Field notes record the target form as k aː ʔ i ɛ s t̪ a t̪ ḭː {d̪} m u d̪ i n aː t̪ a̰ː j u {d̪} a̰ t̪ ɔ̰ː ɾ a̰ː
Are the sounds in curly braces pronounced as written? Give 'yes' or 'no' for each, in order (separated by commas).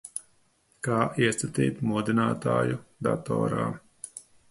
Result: no, yes